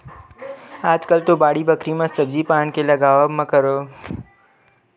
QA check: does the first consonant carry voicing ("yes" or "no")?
yes